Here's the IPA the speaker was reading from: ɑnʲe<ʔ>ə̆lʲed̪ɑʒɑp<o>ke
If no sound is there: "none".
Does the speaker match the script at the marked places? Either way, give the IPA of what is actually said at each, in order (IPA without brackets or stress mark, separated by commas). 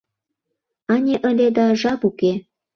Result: ʔ, u